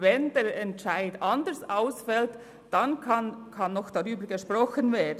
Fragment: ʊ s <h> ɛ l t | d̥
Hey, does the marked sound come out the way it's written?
no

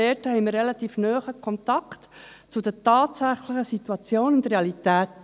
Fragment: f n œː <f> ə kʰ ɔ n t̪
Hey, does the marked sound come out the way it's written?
no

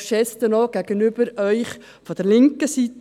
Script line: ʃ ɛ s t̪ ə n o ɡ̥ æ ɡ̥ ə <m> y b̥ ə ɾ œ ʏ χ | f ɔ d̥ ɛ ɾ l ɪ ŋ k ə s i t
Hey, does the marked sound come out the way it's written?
no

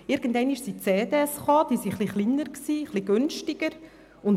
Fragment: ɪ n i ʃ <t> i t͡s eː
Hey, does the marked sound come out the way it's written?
no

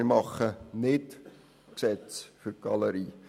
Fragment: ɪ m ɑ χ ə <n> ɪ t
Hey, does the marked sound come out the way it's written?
yes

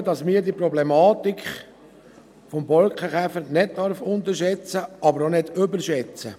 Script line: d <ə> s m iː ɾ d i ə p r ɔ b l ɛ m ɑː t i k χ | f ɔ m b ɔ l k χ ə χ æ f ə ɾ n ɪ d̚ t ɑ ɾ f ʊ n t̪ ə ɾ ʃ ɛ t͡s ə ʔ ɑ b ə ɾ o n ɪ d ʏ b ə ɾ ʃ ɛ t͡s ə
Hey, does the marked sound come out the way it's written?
no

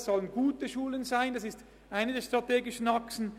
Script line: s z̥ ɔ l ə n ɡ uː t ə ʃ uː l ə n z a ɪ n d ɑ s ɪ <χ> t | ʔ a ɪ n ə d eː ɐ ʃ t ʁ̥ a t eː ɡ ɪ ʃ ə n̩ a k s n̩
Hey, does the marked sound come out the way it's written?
no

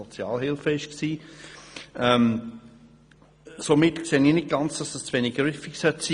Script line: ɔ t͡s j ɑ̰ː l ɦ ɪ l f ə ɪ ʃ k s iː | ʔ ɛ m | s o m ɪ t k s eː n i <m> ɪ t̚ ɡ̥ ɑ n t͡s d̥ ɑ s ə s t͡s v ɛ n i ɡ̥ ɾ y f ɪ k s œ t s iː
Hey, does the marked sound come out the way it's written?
no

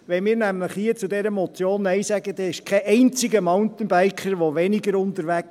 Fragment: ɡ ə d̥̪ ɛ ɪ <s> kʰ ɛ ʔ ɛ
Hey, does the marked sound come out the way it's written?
no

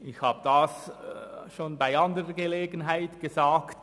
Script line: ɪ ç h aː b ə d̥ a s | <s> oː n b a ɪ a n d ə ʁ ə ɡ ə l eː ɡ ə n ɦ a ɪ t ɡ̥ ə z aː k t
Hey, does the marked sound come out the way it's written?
no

